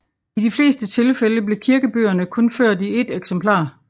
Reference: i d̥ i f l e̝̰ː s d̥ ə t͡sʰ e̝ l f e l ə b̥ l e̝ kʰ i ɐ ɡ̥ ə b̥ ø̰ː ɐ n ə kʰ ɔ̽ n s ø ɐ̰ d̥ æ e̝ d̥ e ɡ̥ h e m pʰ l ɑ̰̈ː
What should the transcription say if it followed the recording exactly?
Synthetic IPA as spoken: i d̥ i f l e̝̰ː s d̥ ə t͡sʰ e̝ l f e l ə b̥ l e̝ kʰ i ɐ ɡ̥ ə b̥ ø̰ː ɐ n ə kʰ ɔ̽ n f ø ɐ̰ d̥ i e̝ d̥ e ɡ̥ s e m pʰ l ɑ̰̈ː